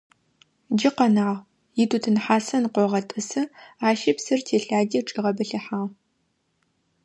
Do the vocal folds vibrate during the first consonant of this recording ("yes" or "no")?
yes